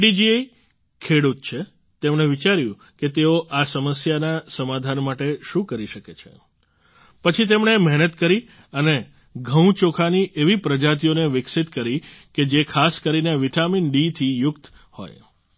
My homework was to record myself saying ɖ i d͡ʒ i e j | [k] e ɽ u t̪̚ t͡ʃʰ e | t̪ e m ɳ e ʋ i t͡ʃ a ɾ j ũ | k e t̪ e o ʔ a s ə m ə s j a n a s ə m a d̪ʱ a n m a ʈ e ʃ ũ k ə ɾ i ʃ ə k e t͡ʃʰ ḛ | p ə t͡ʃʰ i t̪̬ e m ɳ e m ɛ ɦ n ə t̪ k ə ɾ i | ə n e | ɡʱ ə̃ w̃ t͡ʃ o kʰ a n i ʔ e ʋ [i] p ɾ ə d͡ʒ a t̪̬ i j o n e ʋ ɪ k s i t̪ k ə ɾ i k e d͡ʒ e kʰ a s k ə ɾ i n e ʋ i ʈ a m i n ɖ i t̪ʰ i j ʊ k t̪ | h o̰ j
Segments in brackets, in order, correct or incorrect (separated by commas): incorrect, correct